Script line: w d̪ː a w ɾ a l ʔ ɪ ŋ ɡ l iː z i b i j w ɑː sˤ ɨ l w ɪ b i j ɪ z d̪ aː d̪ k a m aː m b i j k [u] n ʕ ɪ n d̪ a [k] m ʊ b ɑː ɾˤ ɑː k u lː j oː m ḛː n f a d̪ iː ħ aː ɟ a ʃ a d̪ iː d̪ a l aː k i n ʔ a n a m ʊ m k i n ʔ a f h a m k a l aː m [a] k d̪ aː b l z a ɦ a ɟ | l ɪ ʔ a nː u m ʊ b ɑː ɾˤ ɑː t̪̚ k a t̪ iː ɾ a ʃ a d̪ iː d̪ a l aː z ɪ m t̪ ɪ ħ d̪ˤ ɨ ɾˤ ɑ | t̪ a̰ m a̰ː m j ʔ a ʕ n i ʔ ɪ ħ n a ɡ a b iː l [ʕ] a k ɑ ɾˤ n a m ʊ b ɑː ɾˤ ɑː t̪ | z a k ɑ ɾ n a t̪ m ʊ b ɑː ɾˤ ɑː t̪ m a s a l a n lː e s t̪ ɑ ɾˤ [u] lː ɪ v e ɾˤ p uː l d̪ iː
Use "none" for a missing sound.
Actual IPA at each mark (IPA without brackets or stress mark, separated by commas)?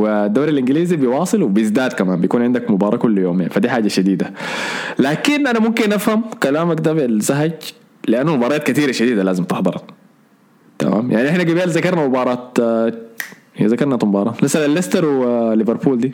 uː, k, a, z, w